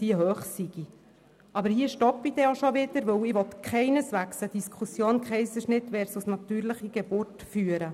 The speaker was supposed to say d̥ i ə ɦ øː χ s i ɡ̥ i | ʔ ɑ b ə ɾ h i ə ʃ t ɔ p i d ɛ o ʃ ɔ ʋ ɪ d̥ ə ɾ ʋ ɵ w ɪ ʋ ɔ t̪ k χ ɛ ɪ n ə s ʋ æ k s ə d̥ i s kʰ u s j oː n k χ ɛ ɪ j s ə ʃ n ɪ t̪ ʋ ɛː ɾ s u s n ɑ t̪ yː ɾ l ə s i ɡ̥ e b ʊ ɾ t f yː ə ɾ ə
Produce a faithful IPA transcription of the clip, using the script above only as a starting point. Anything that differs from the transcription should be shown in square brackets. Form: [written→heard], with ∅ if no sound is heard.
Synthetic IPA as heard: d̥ i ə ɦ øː χ s i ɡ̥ i | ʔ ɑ b ə ɾ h i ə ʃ t ɔ p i d ɛ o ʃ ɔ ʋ ɪ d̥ ə ɾ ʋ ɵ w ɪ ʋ ɔ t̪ k χ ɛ ɪ n ə s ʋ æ k s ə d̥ i s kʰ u s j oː n k χ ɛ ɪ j s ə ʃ n ɪ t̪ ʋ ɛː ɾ s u s n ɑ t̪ yː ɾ l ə [s→χ] i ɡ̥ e b ʊ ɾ t f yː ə ɾ ə